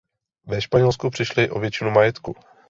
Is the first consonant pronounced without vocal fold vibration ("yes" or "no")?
no